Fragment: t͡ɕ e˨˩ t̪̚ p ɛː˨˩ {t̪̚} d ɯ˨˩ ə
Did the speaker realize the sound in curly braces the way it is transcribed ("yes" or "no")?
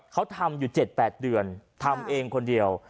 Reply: yes